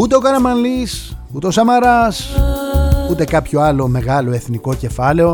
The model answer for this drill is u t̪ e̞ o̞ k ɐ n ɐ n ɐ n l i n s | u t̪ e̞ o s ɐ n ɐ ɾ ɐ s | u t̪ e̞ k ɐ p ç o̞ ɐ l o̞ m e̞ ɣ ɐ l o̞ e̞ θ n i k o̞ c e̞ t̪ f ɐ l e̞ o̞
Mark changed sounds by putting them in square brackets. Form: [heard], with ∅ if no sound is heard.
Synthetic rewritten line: u t̪ e̞ o̞ k ɐ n ɐ [m] ɐ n l i [∅] s | u t̪ e̞ o s ɐ [m] ɐ ɾ ɐ s | u t̪ e̞ k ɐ p ç o̞ ɐ l o̞ m e̞ ɣ ɐ l o̞ e̞ θ n i k o̞ c e̞ [∅] f ɐ l e̞ o̞